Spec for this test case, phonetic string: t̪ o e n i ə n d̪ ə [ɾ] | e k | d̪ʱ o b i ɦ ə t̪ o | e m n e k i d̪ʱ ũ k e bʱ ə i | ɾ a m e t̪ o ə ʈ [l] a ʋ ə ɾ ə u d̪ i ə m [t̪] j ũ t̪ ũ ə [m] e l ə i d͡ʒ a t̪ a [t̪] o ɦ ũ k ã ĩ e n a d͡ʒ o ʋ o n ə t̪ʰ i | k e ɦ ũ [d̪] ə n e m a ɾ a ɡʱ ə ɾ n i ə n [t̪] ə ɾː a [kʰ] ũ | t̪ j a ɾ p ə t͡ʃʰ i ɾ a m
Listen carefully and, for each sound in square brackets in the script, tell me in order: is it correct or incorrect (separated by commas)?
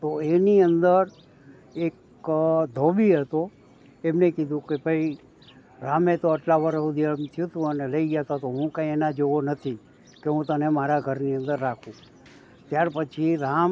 correct, correct, incorrect, incorrect, correct, incorrect, incorrect, correct